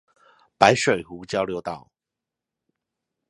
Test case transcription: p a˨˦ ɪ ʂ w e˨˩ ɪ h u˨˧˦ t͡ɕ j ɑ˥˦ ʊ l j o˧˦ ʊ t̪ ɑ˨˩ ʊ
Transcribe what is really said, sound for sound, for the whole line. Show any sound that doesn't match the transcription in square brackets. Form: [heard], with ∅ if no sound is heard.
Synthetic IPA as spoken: p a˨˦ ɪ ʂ w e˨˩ ɪ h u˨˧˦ t͡ɕ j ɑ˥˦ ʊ l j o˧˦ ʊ t̪ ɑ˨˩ ʊ